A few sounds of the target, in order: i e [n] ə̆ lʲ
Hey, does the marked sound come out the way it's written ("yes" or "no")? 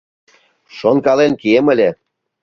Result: no